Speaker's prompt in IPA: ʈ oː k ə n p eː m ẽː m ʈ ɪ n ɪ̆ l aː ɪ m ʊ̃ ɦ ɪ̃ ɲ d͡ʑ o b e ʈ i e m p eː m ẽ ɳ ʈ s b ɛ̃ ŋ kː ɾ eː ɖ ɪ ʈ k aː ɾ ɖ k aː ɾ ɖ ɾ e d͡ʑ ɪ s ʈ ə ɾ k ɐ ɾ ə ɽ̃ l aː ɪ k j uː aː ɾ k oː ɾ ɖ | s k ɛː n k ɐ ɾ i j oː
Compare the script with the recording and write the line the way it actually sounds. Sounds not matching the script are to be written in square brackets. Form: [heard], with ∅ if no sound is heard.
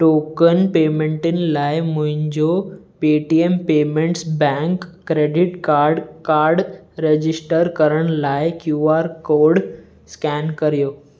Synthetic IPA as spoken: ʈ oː k ə n p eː m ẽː [ɳ] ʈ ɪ n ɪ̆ l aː ɪ m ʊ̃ ɦ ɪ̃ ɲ d͡ʑ o [p] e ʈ i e m p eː m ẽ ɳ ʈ s b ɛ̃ ŋ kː ɾ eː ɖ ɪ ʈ k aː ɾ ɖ k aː ɾ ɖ ɾ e d͡ʑ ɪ s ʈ ə ɾ k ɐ ɾ ə ɽ̃ l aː ɪ k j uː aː ɾ k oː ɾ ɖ | s k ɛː n k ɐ ɾ i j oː